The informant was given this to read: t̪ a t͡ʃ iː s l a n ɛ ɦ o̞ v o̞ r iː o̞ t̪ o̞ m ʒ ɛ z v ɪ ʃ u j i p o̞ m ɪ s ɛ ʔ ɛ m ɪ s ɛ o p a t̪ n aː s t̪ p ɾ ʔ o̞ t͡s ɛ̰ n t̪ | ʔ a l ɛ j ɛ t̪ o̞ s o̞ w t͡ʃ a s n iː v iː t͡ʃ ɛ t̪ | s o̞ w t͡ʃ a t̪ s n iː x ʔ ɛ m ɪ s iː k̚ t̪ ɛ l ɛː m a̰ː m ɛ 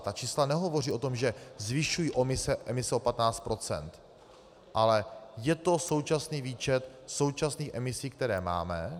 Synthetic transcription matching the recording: t̪ a t͡ʃ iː s l a n ɛ ɦ o̞ v o̞ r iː o̞ t̪ o̞ m ʒ ɛ z v ɪ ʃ u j i ʔ o̞ m ɪ s ɛ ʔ ɛ m ɪ s ɛ o p a t̪ n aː t͡s t̪ p ɾ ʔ o̞ t͡s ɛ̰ n t̪ | ʔ a l ɛ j ɛ t̪ o̞ s o̞ w t͡ʃ a s n iː v iː t͡ʃ ɛ t̪ | s o̞ w t͡ʃ a s n iː x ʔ ɛ m ɪ s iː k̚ t̪ ɛ ɾ ɛː m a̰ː m ɛ